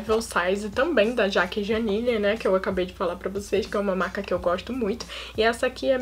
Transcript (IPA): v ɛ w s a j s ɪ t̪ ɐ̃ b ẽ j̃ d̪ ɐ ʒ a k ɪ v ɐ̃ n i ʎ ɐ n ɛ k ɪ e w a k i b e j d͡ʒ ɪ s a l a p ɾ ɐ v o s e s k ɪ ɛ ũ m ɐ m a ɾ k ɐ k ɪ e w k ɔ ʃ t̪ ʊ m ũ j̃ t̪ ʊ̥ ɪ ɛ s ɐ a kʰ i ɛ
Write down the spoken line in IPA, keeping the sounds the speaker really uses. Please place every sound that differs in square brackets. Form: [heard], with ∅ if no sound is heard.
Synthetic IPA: v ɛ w s a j [z] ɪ t̪ ɐ̃ b ẽ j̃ d̪ ɐ ʒ a k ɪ [ʒ] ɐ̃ n i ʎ ɐ n ɛ k ɪ e w a k [a] b e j d͡ʒ ɪ [f] a l a p ɾ ɐ v o s e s k ɪ ɛ ũ m ɐ m a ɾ k ɐ k ɪ e w [ɡ] ɔ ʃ t̪ ʊ m ũ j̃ t̪ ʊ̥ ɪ ɛ s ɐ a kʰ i ɛ